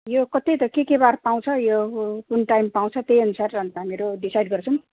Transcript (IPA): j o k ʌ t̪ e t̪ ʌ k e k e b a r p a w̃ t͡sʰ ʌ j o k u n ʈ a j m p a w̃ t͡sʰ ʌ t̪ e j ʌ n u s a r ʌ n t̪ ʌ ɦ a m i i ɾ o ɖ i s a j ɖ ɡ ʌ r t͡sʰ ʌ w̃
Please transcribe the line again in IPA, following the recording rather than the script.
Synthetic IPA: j o k ʌ t̪ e t̪ ʌ k e k e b a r p a w̃ t͡sʰ ʌ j o k u n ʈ a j m p a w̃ t͡sʰ ʌ t̪ e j ʌ n u s a r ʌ n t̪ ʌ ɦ a m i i ɾ o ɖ i s a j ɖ ɡ ʌ r t͡sʰ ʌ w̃